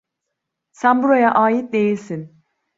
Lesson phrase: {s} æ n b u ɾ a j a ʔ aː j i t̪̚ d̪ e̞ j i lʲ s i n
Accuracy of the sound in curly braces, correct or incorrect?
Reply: correct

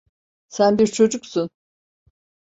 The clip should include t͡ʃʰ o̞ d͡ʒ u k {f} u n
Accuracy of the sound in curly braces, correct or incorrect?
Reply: incorrect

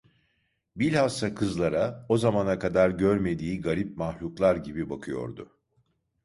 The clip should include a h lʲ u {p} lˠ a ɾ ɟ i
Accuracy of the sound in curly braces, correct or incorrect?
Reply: incorrect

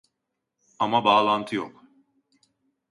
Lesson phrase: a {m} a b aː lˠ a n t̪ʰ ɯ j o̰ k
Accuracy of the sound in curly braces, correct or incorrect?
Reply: correct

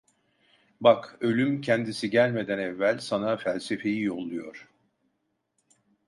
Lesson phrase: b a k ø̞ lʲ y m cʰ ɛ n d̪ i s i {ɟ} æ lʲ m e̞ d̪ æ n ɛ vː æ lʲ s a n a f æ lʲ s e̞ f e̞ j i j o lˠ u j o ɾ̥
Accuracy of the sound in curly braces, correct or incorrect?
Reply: correct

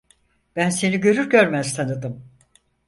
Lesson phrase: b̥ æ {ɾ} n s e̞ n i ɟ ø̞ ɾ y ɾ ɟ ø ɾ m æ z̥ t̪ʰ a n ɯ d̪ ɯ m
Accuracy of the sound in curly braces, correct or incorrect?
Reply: incorrect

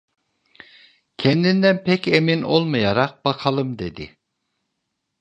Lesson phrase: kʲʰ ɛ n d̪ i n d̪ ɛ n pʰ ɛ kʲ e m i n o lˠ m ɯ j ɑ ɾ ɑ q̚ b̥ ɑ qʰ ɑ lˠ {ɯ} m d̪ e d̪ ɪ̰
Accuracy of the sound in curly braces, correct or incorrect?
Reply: correct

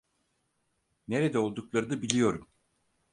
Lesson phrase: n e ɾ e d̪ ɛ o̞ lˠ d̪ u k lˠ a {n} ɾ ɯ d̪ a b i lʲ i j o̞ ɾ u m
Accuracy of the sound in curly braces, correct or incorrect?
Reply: incorrect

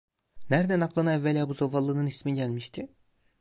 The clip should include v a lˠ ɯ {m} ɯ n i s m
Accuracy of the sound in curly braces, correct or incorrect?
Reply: incorrect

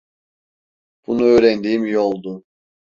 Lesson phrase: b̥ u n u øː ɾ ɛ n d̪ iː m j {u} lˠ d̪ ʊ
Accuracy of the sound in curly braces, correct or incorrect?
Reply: incorrect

